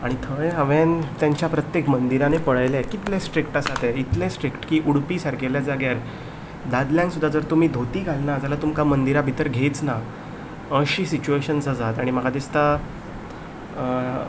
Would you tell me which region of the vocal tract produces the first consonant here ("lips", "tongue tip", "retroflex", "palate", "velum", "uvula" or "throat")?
retroflex